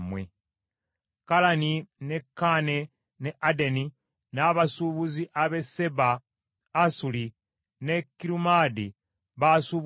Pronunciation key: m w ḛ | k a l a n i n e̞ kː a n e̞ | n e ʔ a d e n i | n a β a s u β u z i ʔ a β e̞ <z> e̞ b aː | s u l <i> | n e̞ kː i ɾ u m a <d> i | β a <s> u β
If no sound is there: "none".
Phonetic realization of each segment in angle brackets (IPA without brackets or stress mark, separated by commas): s, i, d, s